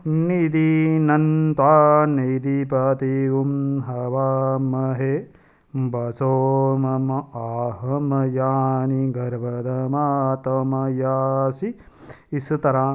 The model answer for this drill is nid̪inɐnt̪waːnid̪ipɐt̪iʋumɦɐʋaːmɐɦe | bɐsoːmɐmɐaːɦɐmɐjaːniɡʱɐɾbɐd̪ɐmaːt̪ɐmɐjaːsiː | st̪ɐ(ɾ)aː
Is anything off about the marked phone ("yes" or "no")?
no